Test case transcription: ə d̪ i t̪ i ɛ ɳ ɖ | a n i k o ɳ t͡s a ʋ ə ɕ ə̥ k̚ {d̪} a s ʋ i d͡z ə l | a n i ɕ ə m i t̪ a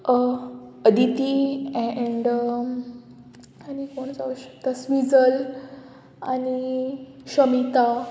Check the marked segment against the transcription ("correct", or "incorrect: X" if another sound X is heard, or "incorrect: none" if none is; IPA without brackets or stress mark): incorrect: t̪